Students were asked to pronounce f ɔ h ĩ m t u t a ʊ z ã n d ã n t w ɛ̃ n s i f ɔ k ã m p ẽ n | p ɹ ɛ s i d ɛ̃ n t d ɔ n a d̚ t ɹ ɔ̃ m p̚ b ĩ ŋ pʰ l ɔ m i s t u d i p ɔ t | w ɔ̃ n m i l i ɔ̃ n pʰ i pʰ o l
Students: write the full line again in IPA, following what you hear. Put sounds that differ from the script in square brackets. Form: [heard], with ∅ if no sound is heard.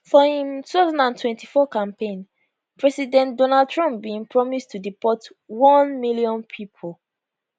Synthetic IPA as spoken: f ɔ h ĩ m t u t a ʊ z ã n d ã n t w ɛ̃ n [t] i f ɔ k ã m p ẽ n | p ɹ ɛ s i d ɛ̃ n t d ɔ n a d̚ t ɹ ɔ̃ m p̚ b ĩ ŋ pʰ [ɹ] ɔ m i s t u d i p ɔ t | w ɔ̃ n m i l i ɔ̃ n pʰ i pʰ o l